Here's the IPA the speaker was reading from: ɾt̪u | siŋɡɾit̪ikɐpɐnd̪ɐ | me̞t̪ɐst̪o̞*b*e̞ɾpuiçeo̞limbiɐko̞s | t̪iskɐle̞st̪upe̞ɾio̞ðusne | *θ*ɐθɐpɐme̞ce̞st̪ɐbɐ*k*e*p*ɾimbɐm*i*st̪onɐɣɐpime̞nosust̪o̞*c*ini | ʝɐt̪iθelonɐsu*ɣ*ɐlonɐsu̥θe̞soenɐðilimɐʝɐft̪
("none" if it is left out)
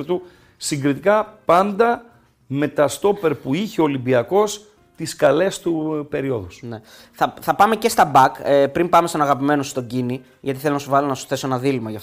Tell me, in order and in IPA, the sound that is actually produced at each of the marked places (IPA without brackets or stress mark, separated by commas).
p, θ, k, p, e, ɟ, v